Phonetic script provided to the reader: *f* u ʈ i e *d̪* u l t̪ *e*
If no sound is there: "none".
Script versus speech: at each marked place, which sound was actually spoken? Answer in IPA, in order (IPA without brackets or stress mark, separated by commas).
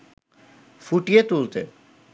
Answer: f, t̪, e